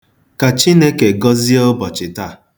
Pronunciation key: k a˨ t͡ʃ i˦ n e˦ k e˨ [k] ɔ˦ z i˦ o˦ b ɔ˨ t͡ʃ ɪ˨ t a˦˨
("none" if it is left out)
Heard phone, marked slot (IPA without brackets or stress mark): ɡ